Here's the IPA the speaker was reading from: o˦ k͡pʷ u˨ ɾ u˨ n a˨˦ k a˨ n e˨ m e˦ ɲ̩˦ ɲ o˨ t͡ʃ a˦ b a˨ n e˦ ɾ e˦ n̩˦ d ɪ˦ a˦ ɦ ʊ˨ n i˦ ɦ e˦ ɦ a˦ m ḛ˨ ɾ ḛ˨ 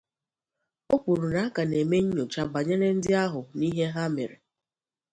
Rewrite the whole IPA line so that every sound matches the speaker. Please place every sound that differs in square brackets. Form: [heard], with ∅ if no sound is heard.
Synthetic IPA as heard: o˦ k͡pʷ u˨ ɾ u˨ n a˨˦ k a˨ n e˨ m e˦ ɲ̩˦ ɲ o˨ t͡ʃ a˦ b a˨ [ɲ] e˦ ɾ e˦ n̩˦ d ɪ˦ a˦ ɦ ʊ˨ n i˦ ɦ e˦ ɦ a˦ m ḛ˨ ɾ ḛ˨

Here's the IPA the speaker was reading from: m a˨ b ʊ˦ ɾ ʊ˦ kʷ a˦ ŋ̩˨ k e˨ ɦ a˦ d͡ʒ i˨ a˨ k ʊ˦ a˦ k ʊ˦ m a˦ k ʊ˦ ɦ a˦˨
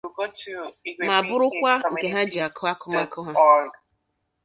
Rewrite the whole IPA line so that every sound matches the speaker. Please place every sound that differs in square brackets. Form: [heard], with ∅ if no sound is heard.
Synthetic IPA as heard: m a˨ b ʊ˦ ɾ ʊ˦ kʷ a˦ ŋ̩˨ k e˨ ɦ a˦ d͡ʒ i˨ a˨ k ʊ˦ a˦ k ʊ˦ m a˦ k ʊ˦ ɦ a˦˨

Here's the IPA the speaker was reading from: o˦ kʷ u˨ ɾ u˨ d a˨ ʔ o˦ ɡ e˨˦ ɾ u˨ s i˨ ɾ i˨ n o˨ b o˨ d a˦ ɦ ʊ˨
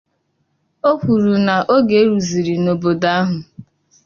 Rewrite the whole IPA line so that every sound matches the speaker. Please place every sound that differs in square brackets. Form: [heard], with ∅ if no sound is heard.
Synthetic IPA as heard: o˦ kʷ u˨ ɾ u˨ [n] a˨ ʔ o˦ ɡ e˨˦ ɾ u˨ [z] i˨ ɾ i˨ n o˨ b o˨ d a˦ ɦ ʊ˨

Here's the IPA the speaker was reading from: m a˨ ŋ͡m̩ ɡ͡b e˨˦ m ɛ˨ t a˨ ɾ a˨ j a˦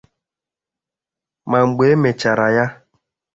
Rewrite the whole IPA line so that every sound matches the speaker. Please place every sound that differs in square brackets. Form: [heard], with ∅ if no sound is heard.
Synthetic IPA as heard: m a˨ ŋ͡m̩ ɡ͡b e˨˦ m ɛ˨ [t͡ʃ] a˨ ɾ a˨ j a˦

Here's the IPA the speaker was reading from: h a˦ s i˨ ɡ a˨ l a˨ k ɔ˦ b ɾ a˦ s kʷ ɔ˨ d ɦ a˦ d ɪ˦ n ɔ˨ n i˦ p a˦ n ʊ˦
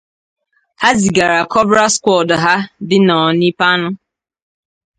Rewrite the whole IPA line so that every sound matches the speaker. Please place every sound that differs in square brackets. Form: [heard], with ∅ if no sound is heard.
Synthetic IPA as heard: h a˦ [z] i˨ ɡ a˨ [ɾ] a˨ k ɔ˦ b ɾ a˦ s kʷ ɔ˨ d ɦ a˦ d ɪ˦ n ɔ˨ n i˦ p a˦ n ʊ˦

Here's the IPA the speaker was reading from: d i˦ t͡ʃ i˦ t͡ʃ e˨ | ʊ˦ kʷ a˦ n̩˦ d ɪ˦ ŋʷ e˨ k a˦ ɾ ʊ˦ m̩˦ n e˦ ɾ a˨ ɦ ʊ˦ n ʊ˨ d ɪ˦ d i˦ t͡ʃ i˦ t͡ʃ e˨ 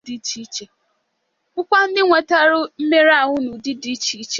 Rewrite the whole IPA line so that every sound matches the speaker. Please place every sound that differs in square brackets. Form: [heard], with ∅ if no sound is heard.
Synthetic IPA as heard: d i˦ t͡ʃ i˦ t͡ʃ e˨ | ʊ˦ kʷ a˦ n̩˦ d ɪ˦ ŋʷ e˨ [t] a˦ ɾ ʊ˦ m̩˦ [m] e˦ ɾ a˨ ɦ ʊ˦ n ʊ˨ d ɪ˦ d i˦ t͡ʃ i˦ t͡ʃ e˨

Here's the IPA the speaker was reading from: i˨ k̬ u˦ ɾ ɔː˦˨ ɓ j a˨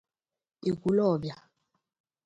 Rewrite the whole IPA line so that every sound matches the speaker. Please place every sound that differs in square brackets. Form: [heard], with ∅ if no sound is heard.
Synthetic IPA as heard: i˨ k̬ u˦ [l] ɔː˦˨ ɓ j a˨

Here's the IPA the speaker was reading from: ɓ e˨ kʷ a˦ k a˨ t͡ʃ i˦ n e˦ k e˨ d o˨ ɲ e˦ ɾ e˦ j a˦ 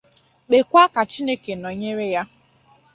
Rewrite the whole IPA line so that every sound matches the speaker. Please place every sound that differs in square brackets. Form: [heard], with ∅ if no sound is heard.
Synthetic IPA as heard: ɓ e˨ kʷ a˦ k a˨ t͡ʃ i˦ n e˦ k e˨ [n] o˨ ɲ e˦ ɾ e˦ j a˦

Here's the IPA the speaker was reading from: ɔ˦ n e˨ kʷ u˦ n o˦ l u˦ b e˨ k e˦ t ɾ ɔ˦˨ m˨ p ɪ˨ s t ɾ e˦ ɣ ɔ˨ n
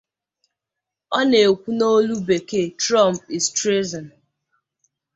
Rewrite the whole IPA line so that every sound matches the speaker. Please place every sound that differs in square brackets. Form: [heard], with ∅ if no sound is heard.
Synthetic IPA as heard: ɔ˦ n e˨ kʷ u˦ n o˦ l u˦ b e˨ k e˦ t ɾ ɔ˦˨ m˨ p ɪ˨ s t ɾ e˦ [z] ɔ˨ n

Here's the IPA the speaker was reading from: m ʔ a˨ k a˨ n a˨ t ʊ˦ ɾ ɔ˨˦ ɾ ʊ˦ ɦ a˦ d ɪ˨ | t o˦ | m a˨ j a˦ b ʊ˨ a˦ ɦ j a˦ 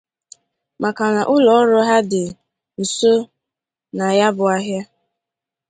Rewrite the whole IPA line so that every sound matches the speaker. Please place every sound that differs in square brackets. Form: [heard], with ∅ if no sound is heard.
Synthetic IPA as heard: m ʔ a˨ k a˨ n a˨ [ʔ] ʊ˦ [l] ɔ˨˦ ɾ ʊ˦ ɦ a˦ d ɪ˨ | [s] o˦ | [n] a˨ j a˦ b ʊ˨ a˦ ɦ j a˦

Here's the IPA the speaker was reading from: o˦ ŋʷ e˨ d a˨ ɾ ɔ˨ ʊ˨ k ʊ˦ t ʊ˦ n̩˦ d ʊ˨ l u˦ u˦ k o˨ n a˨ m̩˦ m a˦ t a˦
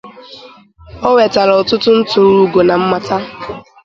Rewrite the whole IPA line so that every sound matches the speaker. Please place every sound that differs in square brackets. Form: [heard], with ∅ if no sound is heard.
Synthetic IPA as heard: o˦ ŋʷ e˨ [t] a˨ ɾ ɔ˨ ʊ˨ [t] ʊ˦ t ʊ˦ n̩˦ [t] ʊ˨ [ɾ] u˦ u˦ [ɡ] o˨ n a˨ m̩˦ m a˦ t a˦

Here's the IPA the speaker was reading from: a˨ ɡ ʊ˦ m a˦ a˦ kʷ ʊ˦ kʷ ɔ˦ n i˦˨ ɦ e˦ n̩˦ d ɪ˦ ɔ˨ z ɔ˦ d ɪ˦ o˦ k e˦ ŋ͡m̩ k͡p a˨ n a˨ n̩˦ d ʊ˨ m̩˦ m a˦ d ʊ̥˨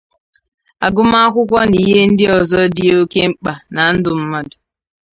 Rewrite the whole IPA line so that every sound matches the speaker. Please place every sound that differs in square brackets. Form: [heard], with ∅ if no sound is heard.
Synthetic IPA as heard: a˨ ɡ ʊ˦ m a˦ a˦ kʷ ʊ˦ kʷ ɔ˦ n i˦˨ ɦ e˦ n̩˦ d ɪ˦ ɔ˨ z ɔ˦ d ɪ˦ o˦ k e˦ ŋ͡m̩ k͡p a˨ n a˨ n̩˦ d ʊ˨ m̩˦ m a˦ d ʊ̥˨

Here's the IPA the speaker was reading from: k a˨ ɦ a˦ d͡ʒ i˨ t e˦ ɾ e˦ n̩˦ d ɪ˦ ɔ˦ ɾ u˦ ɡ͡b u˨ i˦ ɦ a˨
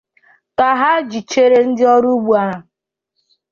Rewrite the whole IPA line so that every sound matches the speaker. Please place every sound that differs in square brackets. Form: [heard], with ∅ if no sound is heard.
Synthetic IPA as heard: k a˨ ɦ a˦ d͡ʒ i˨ [t͡ʃ] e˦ ɾ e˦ n̩˦ d ɪ˦ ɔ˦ ɾ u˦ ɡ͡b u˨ [a˦] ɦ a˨

